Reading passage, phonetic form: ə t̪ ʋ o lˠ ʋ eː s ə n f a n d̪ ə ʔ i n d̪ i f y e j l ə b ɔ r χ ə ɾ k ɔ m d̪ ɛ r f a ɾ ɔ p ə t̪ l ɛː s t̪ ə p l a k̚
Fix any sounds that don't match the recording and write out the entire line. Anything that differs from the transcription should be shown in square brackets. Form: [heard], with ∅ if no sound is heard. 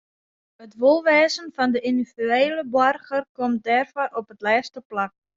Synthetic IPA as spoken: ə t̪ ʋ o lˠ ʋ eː s ə n f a n d̪ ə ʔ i n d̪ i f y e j l ə b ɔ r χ ə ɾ k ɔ m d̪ ɛ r f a ɾ ɔ p ə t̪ l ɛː s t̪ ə p l a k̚